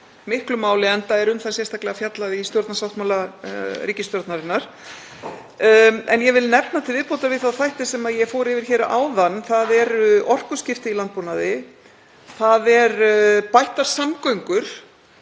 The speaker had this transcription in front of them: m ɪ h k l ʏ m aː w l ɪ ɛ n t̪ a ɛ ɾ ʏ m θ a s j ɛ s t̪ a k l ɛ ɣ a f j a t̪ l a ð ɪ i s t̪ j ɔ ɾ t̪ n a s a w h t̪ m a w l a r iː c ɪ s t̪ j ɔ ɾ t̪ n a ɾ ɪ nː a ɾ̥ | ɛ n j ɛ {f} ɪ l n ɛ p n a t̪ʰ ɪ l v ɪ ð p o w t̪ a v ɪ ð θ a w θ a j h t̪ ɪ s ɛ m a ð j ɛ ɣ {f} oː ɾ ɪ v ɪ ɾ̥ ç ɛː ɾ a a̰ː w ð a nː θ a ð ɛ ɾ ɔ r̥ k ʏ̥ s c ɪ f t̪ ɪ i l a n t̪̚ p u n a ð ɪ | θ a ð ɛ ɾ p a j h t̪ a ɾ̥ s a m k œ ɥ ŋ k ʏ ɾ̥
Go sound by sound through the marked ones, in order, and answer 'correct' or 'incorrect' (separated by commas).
incorrect, correct